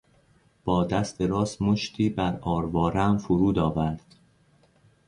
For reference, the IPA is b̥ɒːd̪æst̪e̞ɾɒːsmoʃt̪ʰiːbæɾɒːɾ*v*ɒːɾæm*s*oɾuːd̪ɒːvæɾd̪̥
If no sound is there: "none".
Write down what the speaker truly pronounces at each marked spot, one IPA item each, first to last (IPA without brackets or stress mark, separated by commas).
v, f